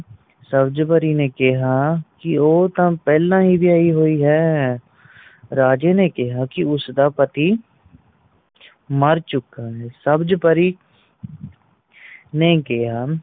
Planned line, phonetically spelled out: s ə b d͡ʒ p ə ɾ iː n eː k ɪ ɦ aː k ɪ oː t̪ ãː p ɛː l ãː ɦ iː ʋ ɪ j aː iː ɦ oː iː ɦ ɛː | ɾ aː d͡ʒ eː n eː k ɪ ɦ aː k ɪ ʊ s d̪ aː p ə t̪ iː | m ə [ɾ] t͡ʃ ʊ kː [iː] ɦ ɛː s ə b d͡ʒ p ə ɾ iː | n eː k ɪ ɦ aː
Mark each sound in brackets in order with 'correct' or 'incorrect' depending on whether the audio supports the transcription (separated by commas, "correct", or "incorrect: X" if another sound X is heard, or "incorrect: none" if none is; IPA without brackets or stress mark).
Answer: correct, incorrect: aː